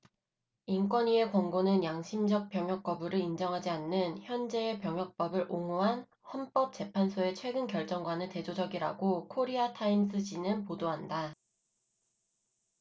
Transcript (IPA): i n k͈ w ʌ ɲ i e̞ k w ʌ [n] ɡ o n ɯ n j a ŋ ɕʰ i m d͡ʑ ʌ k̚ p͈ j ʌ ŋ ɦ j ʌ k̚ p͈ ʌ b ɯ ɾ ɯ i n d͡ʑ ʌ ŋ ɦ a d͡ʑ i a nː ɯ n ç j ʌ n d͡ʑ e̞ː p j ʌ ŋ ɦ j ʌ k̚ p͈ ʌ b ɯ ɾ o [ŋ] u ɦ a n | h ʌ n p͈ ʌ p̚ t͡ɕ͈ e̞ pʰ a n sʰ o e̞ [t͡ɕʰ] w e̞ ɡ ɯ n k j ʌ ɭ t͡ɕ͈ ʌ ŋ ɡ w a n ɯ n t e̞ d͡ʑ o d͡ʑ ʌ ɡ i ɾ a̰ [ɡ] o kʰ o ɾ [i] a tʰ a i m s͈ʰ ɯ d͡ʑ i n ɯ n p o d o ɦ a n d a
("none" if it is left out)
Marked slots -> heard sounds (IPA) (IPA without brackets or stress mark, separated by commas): ŋ, ŋ, t͡ɕʰ, ɡ, i